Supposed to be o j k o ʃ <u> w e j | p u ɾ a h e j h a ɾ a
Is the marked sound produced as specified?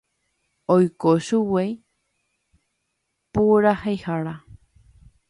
yes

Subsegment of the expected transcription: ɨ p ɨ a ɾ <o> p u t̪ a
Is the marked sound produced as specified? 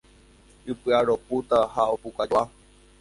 yes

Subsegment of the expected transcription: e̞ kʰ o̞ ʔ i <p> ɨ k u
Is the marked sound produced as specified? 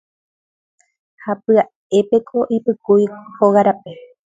yes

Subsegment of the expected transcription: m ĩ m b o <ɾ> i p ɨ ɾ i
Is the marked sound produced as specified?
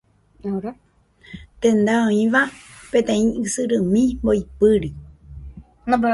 no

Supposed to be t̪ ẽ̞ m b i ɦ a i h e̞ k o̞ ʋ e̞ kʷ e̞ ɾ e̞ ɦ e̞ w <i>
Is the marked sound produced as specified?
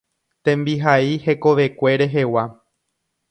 no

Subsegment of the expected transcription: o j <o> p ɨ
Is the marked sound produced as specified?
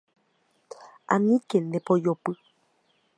yes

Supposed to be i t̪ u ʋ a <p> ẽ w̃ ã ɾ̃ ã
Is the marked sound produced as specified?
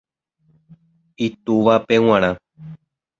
yes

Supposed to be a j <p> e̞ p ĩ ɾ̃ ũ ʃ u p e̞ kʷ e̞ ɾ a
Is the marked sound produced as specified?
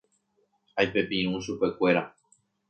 yes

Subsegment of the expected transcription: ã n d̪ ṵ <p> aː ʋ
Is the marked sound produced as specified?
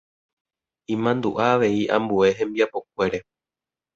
no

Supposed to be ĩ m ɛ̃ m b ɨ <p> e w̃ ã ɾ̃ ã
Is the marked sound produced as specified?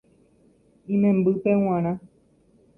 yes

